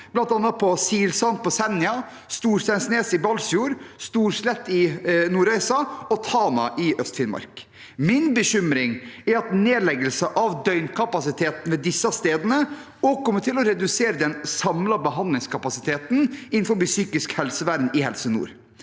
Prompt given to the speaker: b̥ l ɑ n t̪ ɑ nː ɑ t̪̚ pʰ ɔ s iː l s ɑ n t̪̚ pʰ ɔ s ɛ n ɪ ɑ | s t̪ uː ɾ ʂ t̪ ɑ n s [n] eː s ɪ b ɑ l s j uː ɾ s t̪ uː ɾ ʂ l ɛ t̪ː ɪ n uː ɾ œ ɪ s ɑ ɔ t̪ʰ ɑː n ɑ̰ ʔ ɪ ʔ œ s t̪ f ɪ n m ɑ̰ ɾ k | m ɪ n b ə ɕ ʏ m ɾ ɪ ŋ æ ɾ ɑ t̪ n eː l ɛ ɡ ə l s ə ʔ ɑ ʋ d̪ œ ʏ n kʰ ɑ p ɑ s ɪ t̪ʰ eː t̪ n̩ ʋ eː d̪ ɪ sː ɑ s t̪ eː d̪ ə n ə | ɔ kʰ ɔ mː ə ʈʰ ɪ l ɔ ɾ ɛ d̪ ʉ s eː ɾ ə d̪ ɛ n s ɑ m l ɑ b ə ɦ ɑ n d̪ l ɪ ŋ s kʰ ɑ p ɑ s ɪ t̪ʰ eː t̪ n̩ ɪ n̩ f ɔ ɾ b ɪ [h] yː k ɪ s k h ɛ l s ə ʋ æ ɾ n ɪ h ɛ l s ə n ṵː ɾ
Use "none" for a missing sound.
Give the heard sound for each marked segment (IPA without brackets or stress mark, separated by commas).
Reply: n, s